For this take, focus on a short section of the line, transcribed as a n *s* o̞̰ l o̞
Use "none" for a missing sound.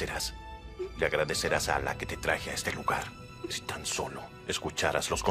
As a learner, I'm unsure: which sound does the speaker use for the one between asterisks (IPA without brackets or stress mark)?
s